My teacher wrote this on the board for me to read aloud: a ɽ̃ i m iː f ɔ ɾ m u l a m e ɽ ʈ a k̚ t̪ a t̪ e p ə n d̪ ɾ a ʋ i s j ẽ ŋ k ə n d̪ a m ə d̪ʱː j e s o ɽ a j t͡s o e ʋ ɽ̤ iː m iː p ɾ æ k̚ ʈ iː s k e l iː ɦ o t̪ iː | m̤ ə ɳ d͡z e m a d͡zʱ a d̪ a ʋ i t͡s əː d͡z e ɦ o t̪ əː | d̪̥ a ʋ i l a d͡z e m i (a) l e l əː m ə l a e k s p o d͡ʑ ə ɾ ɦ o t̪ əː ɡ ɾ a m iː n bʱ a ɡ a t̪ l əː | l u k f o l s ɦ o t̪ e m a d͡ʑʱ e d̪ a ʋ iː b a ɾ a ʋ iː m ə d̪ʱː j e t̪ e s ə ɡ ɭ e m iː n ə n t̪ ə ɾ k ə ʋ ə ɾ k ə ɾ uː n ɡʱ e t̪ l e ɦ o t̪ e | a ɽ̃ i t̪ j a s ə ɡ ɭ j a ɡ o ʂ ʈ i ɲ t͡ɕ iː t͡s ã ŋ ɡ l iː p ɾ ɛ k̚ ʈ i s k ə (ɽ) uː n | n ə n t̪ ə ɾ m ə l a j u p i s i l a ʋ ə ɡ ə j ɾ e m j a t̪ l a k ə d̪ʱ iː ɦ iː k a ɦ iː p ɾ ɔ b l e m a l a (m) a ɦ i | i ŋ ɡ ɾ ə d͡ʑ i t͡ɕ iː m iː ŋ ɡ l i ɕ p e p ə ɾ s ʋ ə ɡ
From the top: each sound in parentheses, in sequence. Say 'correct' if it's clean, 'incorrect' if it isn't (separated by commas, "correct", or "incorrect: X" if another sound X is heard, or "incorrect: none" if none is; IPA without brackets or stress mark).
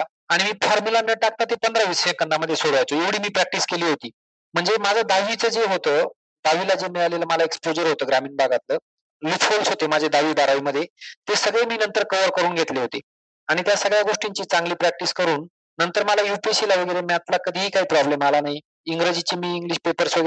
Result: correct, incorrect: ɾ, incorrect: n